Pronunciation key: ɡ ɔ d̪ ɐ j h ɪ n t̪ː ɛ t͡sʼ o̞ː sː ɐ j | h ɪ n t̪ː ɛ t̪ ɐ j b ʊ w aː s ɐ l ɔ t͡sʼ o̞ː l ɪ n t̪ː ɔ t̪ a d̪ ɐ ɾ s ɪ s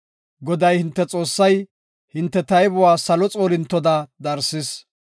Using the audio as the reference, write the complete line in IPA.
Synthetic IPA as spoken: ɡ ɔ d̪ ɐ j h ɪ n t̪ː ɛ t͡sʼ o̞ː sː ɐ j | h ɪ n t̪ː ɛ t̪ ɐ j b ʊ w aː s ɐ l ɔ t͡sʼ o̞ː l ɪ n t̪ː ɔ d̪ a d̪ ɐ ɾ s ɪ s

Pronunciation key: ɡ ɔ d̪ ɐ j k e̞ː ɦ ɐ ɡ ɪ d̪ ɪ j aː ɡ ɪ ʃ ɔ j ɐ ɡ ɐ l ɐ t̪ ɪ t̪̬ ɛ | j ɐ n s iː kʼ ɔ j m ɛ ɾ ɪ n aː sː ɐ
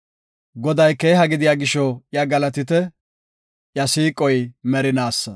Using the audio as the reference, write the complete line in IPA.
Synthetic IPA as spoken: ɡ ɔ d̪ ɐ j k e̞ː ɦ ɐ ɡ ɪ d̪ ɪ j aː ɡ ɪ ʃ ɔ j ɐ ɡ ɐ l ɐ t̪ ɪ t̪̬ ɛ | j ɐ s iː kʼ ɔ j m ɛ ɾ ɪ n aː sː ɐ

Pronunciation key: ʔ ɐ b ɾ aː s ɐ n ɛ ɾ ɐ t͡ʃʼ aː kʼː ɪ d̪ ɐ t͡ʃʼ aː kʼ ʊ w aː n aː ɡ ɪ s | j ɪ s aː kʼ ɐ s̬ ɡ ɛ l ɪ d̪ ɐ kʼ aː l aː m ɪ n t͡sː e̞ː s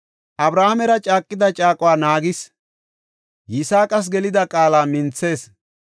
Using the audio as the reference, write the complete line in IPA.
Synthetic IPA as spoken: ʔ ɐ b ɾ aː h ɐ m ɛ ɾ ɐ t͡ʃʼ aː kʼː ɪ d̪ ɐ t͡ʃʼ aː kʼ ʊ w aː n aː ɡ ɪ s | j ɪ s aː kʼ ɐ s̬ ɡ ɛ l ɪ d̪ ɐ kʼ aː l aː m ɪ n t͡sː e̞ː s

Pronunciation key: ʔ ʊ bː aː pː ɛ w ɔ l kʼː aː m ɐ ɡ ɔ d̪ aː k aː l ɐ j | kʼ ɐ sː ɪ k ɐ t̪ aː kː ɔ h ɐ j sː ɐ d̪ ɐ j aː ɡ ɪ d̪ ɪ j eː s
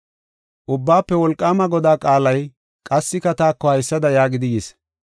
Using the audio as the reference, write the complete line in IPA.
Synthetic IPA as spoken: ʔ ʊ bː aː pː ɛ w ɔ l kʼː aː m ɐ ɡ ɔ d̪ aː kʼ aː l ɐ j | kʼ ɐ sː ɪ k ɐ t̪ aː kː ɔ h ɐ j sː ɐ d̪ ɐ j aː ɡ ɪ d̪ ɪ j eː s

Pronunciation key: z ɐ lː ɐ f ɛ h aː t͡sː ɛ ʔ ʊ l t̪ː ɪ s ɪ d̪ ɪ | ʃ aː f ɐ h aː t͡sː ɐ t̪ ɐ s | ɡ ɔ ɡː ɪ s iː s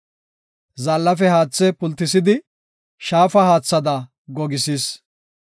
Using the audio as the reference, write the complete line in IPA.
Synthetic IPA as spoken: z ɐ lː ɐ f ɛ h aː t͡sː ɛ p ʊ l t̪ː ɪ s ɪ d̪ ɪ | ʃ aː f ɐ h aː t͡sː ɐ d̪ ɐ | ɡ ɔ ɡ ɪ s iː s

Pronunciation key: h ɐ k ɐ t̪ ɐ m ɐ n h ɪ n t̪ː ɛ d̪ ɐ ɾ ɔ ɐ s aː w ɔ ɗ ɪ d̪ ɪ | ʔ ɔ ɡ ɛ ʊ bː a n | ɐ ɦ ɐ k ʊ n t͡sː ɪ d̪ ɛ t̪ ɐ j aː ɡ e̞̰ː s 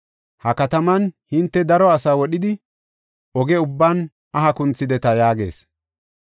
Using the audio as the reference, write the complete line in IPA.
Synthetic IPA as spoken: h ɐ k ɐ t̪ ɐ m ɐ n h ɪ n t̪ː ɛ d̪ ɐ ɾ ɔ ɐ s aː w ɔ ɗ ɪ d̪ ɪ | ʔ ɔ ɡ ɛ ʊ bː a n | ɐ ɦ ɐ k ʊ n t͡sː ɪ d̪ ɛ t̪ ɐ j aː ɡ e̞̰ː s

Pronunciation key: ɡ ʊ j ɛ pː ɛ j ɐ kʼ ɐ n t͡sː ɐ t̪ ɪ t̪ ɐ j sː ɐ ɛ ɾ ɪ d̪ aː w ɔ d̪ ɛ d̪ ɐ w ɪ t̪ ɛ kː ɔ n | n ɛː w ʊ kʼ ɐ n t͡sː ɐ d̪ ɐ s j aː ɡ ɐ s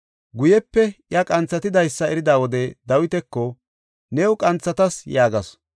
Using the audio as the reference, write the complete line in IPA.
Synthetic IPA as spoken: ɡ ʊ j ɛ pː ɛ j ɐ kʼ ɐ n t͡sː ɐ t̪ ɪ d̪ ɐ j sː ɐ ɛ ɾ ɪ d̪ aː w ɔ d̪ ɛ d̪ ɐ w ɪ t̪ ɛ kː ɔ | n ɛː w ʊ kʼ ɐ n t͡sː ɐ t̪ ɐ s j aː ɡ ɐ s

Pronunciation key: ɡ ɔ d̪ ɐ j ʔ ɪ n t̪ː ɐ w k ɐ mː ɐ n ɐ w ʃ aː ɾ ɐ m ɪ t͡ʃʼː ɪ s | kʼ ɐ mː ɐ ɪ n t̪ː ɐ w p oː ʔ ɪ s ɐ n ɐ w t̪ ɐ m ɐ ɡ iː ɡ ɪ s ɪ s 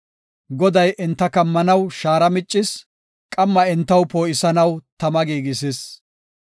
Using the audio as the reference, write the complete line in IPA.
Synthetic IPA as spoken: ɡ ɔ d̪ ɐ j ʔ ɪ n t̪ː ɐ k ɐ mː ɐ n ɐ w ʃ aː ɾ ɐ m ɪ t͡ʃʼː ɪ s | kʼ ɐ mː ɐ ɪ n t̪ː ɐ w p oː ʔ ɪ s ɐ n ɐ w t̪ ɐ m ɐ ɡ iː ɡ ɪ s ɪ s

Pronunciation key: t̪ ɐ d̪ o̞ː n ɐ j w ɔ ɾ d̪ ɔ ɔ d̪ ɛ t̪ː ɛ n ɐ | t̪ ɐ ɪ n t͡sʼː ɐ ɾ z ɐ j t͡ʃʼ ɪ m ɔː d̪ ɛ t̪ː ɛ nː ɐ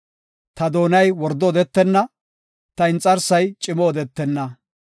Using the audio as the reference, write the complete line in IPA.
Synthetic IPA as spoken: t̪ ɐ d̪ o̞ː n ɐ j w ɔ ɾ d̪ ɔ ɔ d̪ ɛ t̪ː ɛ nː ɐ | t̪ ɐ ɪ n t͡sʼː ɐ ɾ s ɐ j t͡ʃʼ ɪ m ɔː d̪ ɛ t̪ː ɛ nː ɐ

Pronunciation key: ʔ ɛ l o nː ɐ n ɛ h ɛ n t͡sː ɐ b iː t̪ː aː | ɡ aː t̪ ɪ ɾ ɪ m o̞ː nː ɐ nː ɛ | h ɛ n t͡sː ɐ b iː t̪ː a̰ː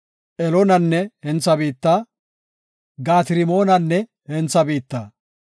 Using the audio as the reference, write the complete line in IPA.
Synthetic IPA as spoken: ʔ ɛ l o n ɐ nː ɛ h ɛ n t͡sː ɐ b iː t̪ː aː | ɡ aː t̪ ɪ ɾ ɪ m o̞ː n ɐ nː ɛ | h ɛ n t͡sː ɐ b iː t̪ː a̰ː

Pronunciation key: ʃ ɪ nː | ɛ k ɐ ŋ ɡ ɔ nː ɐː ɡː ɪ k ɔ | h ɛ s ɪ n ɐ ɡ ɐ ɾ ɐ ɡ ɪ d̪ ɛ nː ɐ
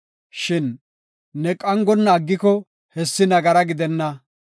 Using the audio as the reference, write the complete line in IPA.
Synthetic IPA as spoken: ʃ ɪ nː | ɛ kʼ ɐ ŋ ɡ ɔ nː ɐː ɡː ɪ k ɔ | h ɛ sː ɪ n ɐ ɡ ɐ ɾ ɐ ɡ ɪ d̪ ɛ nː ɐ

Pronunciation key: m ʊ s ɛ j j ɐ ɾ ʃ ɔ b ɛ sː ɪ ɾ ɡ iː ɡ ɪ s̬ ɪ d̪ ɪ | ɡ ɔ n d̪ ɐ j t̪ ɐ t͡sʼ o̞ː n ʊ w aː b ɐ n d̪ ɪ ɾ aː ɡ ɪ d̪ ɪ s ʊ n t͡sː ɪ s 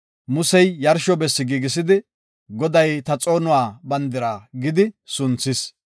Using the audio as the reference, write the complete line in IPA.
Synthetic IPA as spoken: m ʊ s ɛ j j ɐ ɾ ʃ ɔ b ɛ sː ɪ ɡ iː ɡ ɪ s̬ ɪ d̪ ɪ | ɡ ɔ d̪ ɐ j t̪ ɐ t͡sʼ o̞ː n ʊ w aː b ɐ n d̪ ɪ ɾ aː ɡ ɪ d̪ ɪ s ʊ n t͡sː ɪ s

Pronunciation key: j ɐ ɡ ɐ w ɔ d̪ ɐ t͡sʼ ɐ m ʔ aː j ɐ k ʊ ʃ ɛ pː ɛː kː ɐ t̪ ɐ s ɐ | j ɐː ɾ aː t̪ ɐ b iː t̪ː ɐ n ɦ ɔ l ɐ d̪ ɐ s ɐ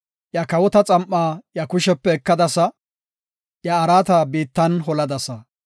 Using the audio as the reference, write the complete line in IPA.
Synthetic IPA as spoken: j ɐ k ɐ w ɔ t̪ ɐ t͡sʼ ɐ m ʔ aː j ɐ k ʊ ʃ ɛ pː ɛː kː ɐ d̪ ɐ s ɐ | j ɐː ɾ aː t̪ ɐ b iː t̪ː ɐ n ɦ ɔ l ɐ d̪ ɐ s ɐ

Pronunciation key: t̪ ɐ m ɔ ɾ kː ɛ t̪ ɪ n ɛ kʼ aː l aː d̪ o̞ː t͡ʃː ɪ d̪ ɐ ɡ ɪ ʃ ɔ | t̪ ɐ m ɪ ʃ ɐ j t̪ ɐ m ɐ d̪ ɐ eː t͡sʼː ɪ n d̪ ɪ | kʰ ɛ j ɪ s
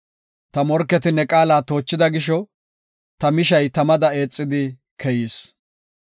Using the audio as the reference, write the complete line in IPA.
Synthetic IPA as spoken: t̪ ɐ m ɔ ɾ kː ɛ t̪ ɪ n ɛ kʼ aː l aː t̪ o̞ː t͡ʃː ɪ d̪ ɐ ɡ ɪ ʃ ɔ | t̪ ɐ m ɪ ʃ ɐ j t̪ ɐ m ɐ d̪ ɐ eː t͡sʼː ɪ d̪ ɪ | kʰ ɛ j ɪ s

